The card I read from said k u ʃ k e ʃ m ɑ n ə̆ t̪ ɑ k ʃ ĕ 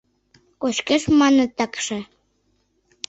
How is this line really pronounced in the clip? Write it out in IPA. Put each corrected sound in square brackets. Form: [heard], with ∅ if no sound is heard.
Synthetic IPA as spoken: k [o] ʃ k e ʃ m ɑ n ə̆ t̪ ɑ k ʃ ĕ